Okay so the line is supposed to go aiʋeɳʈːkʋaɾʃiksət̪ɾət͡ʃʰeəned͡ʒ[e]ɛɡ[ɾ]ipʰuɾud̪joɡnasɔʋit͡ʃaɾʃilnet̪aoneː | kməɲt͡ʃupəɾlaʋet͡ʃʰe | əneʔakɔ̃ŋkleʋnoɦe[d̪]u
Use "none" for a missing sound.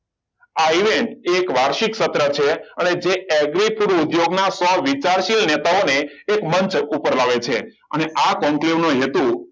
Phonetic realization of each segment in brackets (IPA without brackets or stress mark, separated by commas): e, ɾ, t̪